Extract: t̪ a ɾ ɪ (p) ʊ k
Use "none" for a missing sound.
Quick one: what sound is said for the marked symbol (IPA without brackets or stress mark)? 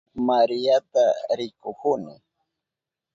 k